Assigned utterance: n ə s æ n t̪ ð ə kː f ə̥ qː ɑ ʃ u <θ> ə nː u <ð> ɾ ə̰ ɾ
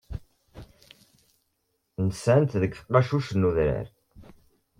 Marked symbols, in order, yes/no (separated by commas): no, yes